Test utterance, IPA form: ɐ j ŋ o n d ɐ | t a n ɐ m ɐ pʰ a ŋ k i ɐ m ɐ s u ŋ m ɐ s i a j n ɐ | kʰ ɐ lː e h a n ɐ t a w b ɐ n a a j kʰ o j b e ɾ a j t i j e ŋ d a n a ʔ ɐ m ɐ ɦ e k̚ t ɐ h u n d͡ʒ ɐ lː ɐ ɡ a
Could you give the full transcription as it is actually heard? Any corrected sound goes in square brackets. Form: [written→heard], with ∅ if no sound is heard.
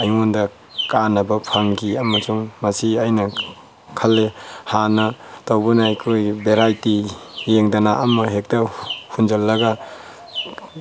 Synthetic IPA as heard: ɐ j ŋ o n d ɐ | [t→k] a n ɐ [m→b] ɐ pʰ a ŋ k i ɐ m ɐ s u ŋ m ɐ s i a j n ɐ | kʰ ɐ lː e h a n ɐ t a w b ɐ n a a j kʰ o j b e ɾ a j t i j e ŋ d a n a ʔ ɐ m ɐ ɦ e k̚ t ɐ h u n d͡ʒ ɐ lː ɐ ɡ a

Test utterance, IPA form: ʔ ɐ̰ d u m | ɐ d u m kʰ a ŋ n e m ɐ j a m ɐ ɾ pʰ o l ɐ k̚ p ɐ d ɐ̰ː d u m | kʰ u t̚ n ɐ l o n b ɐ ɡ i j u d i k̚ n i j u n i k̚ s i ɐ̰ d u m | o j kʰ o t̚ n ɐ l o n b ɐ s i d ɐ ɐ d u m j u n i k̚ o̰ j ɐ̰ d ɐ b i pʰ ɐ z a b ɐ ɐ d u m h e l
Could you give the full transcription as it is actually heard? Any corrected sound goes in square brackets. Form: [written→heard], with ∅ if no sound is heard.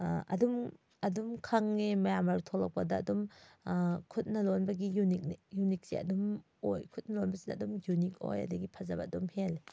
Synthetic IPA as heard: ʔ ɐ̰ d u m | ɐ d u m kʰ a ŋ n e m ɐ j a m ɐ ɾ [pʰ→tʰ] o l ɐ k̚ p ɐ d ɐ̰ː d u m | kʰ u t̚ n ɐ l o n b ɐ ɡ i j u [d→n] i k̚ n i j u n i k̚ s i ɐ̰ d u m | o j kʰ [o→u] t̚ n ɐ l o n b ɐ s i d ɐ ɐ d u m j u n i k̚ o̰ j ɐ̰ d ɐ [b→ɡ] i pʰ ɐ z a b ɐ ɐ d u m h e l

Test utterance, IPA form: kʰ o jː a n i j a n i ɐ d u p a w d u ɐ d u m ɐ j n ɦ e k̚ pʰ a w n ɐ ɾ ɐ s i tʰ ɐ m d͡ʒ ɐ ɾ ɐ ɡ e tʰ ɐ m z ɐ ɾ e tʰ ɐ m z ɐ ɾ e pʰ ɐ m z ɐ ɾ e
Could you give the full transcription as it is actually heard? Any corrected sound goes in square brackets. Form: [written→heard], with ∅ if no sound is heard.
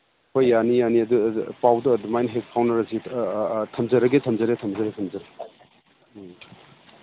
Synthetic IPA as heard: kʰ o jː a n i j a n i ɐ d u p a w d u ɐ d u m [ɐ→a] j n ɦ e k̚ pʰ a w n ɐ ɾ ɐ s i tʰ ɐ m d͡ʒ ɐ ɾ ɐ ɡ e tʰ ɐ m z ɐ ɾ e tʰ ɐ m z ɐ ɾ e [pʰ→tʰ] ɐ m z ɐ ɾ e

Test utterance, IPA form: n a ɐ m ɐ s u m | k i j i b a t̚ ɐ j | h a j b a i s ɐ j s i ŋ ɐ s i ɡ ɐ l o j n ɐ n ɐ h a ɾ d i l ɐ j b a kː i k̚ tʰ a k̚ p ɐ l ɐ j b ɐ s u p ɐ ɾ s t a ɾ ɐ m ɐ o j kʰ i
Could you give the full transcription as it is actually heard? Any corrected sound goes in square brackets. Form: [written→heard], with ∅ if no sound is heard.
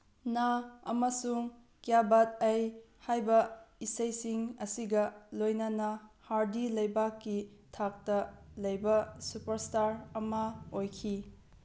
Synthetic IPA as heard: n a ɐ m ɐ s u [m→ŋ] | k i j [i→a] b a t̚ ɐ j | h a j b [a→ɐ] i s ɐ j s i ŋ ɐ s i ɡ ɐ l o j n ɐ n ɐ h a ɾ d i l ɐ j b a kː i [k̚→∅] tʰ a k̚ [p→t] ɐ l ɐ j b ɐ s u p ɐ ɾ s t a ɾ ɐ m ɐ o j kʰ i

